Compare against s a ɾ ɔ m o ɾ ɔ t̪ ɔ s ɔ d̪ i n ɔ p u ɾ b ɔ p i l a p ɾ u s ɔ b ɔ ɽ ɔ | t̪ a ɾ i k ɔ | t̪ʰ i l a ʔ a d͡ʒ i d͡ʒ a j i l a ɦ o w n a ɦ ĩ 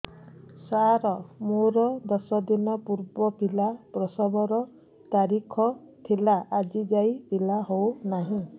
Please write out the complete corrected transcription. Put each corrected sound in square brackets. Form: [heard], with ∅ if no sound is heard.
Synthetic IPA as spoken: s a ɾ ɔ m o ɾ ɔ [d̪] ɔ s ɔ d̪ i n ɔ p u ɾ b ɔ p i l a p ɾ [ɔ] s ɔ b ɔ [ɾ] ɔ | t̪ a ɾ i [kʰ] ɔ | t̪ʰ i l a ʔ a d͡ʒ i d͡ʒ a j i l a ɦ o w n a ɦ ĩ